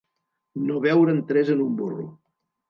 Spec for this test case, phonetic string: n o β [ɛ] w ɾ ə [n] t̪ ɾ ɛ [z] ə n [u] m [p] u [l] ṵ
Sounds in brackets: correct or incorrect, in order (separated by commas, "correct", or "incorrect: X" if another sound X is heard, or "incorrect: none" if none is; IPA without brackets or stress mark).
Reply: correct, correct, correct, correct, incorrect: b, incorrect: r